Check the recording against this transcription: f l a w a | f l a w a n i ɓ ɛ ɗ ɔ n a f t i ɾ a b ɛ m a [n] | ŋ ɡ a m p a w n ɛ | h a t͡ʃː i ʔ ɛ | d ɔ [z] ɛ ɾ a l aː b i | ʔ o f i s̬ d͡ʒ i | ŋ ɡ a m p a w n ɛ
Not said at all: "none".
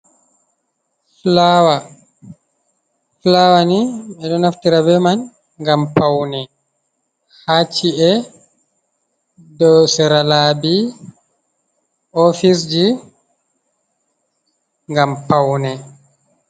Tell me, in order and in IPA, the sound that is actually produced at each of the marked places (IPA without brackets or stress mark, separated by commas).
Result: n, s